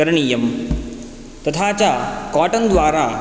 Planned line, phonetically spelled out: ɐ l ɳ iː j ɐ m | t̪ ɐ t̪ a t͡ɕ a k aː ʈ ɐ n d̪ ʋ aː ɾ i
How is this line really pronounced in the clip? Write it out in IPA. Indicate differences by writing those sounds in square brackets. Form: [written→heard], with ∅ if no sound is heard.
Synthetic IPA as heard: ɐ [l→ɾ] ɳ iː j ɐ m | t̪ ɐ [t̪→t̪ʰ] a t͡ɕ a k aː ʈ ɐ n d̪ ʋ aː ɾ [i→a]